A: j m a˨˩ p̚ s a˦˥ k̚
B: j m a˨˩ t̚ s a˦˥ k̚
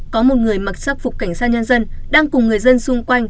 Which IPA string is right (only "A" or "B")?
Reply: B